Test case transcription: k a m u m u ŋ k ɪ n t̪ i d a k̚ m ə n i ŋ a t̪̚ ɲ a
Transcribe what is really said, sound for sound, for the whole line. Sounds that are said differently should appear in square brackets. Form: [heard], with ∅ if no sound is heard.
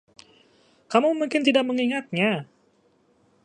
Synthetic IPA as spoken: k a m u m u ŋ k ɪ n t̪ i d a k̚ m ə [ŋ] i ŋ a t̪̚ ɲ a